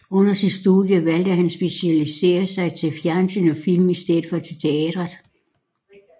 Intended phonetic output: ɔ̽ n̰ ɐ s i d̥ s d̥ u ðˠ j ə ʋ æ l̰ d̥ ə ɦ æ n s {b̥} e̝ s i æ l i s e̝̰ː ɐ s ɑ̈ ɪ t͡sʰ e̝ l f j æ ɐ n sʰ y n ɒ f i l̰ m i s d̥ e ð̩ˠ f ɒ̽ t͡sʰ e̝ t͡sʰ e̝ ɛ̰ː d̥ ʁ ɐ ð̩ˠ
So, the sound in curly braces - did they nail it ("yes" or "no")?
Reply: yes